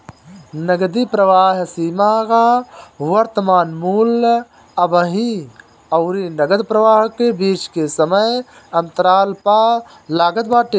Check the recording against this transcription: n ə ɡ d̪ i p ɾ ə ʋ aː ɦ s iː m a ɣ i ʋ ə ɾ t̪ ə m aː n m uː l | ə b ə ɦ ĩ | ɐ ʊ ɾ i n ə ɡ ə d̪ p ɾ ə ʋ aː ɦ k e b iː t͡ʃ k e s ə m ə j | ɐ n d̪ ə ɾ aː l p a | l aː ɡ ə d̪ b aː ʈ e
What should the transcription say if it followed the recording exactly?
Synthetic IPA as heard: n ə ɡ d̪ i p ɾ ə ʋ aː ɦ s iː m a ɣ a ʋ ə ɾ t̪ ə m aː n m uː l | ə b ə ɦ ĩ | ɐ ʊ ɾ i n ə ɡ ə d̪ p ɾ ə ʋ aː ɦ k e b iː t͡ʃ k e s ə m ə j | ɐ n t̪ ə ɾ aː l p a | l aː ɡ ə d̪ b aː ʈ e